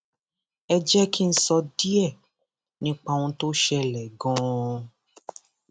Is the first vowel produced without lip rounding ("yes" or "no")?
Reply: yes